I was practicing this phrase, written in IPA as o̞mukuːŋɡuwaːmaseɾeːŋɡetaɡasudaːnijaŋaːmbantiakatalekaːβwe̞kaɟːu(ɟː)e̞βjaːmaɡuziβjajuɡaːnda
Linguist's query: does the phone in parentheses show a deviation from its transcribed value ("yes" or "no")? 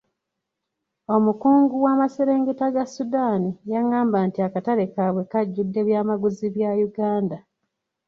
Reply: yes